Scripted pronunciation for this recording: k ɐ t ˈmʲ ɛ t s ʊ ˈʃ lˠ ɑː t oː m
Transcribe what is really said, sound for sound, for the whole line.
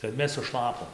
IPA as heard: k ɐ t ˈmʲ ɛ s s ʊ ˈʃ lˠ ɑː p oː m